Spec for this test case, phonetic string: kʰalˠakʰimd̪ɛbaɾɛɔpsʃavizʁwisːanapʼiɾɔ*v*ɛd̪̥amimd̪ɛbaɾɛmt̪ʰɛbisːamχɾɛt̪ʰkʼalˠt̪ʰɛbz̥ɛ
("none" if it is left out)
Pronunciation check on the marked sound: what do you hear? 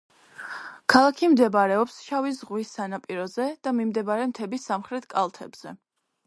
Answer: z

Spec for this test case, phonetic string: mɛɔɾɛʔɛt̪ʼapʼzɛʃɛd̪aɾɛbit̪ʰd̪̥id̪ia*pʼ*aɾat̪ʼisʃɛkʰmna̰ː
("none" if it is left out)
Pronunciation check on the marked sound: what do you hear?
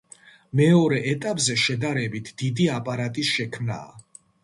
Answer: pʼ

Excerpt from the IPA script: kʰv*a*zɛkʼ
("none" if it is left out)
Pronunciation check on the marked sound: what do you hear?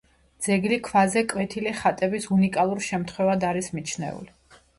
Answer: a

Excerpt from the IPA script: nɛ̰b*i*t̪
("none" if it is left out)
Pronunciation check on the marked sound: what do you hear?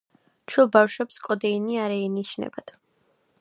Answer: a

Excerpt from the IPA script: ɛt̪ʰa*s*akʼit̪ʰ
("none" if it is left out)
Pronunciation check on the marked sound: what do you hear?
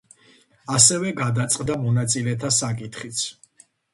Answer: s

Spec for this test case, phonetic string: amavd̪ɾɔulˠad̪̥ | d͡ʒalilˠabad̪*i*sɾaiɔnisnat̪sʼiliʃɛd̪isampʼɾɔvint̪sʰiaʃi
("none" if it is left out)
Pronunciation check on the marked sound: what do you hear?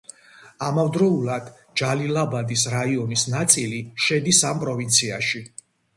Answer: i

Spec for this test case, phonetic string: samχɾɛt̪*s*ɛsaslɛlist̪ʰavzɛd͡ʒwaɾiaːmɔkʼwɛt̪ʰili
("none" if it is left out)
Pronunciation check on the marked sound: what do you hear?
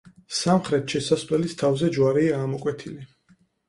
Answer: ʃ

